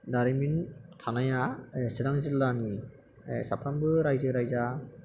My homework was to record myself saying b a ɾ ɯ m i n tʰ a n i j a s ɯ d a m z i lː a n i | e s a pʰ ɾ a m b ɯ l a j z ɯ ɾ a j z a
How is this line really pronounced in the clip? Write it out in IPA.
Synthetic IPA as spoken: d a ɾ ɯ m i n tʰ a n a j a s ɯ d a ŋ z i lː a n i | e s a pʰ ɾ a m b ɯ ɾ a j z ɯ ɾ a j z a